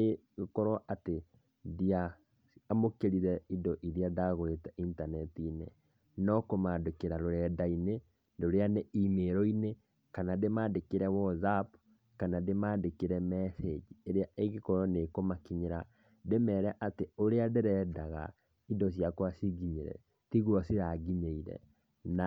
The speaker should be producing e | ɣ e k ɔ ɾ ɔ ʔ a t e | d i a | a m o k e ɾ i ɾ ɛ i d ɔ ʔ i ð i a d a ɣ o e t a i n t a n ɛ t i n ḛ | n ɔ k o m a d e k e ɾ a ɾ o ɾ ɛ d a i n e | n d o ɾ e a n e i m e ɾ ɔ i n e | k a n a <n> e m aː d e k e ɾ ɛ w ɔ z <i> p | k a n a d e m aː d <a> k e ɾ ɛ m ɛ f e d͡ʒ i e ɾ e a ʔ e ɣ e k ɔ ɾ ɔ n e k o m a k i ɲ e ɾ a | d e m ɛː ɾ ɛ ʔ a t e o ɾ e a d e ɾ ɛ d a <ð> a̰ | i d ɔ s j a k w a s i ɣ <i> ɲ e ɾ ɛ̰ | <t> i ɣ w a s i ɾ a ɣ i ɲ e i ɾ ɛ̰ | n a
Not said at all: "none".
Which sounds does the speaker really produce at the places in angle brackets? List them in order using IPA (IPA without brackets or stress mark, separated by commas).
d, a, e, ɣ, i, t